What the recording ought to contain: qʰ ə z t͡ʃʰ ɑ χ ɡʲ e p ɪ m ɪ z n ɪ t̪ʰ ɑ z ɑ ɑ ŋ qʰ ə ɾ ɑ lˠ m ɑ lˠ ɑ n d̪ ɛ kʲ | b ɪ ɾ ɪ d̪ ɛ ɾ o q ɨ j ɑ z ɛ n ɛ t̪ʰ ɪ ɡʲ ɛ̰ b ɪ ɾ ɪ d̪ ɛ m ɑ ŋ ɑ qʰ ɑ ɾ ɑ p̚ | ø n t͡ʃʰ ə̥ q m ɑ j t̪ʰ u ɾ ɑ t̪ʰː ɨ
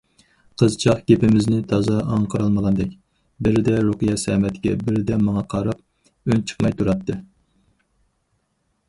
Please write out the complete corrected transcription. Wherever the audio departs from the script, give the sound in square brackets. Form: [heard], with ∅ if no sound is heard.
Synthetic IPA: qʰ ə z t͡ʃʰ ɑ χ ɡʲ e p ɪ m ɪ z n ɪ t̪ʰ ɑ z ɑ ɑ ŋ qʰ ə ɾ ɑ lˠ m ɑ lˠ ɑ n d̪ ɛ kʲ | b ɪ ɾ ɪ d̪ ɛ ɾ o q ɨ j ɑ [s] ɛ [m] ɛ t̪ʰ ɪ ɡʲ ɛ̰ b ɪ ɾ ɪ d̪ ɛ m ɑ ŋ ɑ qʰ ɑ ɾ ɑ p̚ | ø n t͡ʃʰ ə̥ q m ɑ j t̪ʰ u ɾ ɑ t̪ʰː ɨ